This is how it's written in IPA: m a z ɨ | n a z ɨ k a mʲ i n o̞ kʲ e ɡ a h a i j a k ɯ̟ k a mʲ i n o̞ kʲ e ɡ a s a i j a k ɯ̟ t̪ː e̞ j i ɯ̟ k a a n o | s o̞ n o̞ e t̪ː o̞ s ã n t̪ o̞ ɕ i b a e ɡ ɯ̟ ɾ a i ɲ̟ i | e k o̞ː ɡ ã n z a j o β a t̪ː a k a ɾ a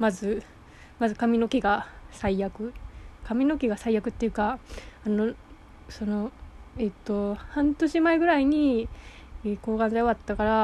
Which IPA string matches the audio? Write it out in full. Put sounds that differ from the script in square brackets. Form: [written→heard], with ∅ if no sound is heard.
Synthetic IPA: m a z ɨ | [n→m] a z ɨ k a mʲ i n o̞ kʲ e ɡ a [h→s] a i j a k ɯ̟ k a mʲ i n o̞ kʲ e ɡ a s a i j a k ɯ̟ t̪ː e̞ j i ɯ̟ k a a n o | s o̞ n o̞ e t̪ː o̞ [s→h] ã n t̪ o̞ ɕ i [b→m] a e ɡ ɯ̟ ɾ a i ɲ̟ i | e k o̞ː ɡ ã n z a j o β a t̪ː a k a ɾ a